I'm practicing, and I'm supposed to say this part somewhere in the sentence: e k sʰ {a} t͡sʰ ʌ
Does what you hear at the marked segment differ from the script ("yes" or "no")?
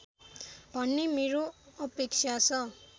no